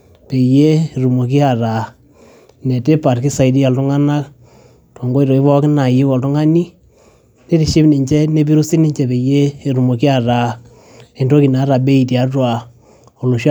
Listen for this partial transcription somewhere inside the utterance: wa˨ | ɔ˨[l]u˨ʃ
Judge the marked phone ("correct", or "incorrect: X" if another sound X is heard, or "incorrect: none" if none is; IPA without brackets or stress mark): correct